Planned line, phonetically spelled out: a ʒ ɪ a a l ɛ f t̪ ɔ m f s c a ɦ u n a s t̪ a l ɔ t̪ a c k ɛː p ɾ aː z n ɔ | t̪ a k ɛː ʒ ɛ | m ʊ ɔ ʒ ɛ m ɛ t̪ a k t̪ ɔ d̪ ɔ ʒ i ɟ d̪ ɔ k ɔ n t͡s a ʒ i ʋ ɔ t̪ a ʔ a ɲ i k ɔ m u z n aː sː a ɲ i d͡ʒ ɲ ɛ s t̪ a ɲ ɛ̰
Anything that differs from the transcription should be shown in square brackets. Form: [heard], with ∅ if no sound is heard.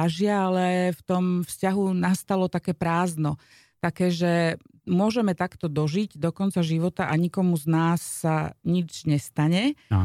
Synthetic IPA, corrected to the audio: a ʒ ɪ a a l ɛ f t̪ ɔ m f s c a ɦ u n a s t̪ a l ɔ t̪ a [∅] k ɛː p ɾ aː z n ɔ | t̪ a k ɛː ʒ ɛ | m ʊ ɔ ʒ ɛ m ɛ t̪ a k t̪ ɔ d̪ ɔ ʒ i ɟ d̪ ɔ k ɔ n t͡s a ʒ i ʋ ɔ t̪ a ʔ a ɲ i k ɔ m u z n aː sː a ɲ i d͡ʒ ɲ ɛ s t̪ a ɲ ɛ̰